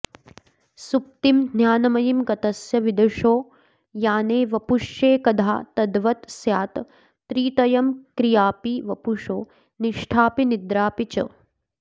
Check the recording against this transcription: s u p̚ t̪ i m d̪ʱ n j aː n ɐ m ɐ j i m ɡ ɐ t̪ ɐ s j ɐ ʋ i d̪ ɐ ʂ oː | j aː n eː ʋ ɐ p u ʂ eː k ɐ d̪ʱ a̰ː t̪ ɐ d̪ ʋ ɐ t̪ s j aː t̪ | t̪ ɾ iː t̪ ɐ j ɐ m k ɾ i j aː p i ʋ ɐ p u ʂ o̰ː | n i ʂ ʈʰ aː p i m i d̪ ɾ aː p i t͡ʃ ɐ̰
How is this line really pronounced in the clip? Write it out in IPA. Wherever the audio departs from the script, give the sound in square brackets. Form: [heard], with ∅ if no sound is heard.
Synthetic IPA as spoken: s u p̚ t̪ i m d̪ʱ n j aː n ɐ m ɐ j i m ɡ ɐ t̪ ɐ s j ɐ ʋ i d̪ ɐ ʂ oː | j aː n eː ʋ ɐ p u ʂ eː k ɐ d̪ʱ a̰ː t̪ ɐ d̪ ʋ ɐ t̪ s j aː t̪ | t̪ ɾ iː t̪ ɐ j ɐ m k ɾ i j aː p i ʋ ɐ p u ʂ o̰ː | n i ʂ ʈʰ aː p i [n] i d̪ ɾ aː p i t͡ʃ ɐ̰